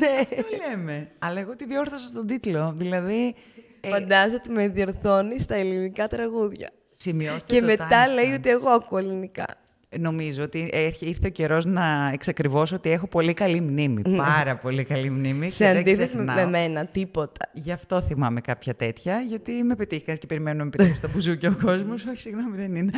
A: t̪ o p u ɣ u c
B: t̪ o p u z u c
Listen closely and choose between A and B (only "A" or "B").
B